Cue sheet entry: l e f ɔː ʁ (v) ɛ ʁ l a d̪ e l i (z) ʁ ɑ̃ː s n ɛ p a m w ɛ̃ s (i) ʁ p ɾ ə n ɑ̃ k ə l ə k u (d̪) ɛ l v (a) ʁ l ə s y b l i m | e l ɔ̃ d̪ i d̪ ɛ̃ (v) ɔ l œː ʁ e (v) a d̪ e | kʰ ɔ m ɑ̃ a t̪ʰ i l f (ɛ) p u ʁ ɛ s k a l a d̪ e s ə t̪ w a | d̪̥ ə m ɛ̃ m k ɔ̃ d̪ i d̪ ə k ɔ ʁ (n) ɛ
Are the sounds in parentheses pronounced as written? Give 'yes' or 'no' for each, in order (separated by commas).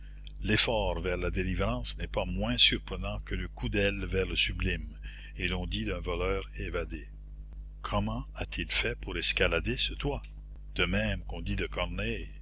yes, no, no, yes, no, yes, yes, yes, yes